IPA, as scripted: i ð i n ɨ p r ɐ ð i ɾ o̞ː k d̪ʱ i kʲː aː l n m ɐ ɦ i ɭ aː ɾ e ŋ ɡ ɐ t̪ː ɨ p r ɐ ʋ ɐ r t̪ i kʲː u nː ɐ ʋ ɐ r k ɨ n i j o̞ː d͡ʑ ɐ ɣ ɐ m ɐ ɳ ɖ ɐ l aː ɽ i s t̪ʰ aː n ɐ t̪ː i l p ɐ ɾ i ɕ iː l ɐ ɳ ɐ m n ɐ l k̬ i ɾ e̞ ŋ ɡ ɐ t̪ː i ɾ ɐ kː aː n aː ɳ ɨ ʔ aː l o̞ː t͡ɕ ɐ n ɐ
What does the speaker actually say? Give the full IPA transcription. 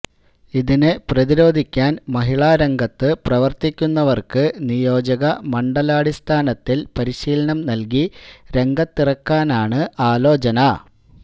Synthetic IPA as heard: i ð i n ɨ p r ɐ ð i ɾ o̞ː d̪ʱ i kʲː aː n m ɐ ɦ i ɭ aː ɾ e ŋ ɡ ɐ t̪ː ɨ p r ɐ ʋ ɐ r t̪ i kʲː u nː ɐ ʋ ɐ r k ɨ n i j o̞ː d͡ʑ ɐ ɣ ɐ m ɐ ɳ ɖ ɐ l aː ɽ i s t̪ʰ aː n ɐ t̪ː i l p ɐ ɾ i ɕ iː l ɐ ɳ ɐ m n ɐ l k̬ i ɾ e̞ ŋ ɡ ɐ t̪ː i r ɐ kː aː n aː ɳ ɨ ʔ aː l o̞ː t͡ɕ ɐ n ɐ